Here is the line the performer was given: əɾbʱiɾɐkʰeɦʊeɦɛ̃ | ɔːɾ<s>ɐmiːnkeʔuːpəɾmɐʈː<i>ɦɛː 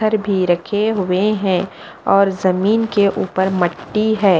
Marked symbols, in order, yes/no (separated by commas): no, yes